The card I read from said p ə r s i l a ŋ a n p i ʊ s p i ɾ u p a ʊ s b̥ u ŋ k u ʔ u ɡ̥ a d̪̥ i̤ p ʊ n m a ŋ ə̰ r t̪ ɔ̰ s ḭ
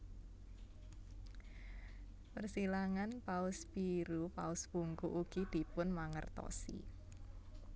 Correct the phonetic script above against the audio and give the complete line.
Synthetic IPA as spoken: p ə r s i l a ŋ a n p a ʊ s p i ɾ u p a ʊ s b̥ u ŋ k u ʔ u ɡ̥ i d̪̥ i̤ p ʊ n m a ŋ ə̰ r t̪ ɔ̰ s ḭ